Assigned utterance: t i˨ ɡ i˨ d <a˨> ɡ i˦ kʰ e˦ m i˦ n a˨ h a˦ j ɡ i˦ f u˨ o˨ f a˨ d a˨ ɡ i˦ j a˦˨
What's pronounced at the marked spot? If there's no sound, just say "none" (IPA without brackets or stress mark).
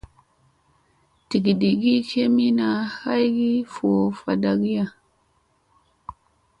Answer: i˨